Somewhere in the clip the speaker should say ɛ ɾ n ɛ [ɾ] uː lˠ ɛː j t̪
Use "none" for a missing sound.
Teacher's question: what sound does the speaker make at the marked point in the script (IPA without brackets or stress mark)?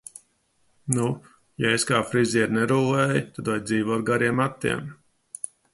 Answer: ɾ